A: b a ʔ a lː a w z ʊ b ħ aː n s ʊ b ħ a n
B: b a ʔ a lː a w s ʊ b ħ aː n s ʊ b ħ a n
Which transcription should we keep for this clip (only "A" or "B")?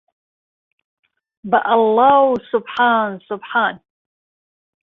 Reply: B